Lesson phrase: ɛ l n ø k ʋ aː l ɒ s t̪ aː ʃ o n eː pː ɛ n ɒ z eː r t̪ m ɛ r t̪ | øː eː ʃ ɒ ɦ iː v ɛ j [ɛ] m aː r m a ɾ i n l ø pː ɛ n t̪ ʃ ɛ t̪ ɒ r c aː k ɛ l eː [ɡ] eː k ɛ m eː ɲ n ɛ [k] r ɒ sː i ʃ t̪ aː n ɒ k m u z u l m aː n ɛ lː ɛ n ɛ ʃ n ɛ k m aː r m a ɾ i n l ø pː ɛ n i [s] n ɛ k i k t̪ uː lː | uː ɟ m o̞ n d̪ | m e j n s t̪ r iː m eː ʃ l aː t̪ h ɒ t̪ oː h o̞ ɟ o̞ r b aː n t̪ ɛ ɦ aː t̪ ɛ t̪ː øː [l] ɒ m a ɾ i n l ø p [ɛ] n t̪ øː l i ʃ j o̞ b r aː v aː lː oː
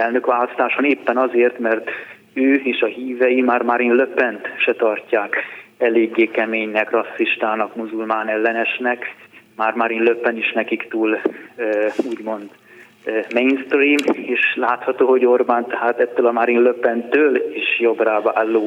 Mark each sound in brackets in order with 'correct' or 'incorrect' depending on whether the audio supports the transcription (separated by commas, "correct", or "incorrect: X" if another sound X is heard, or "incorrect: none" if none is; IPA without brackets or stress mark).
incorrect: i, incorrect: ɡː, correct, incorrect: ʃ, correct, correct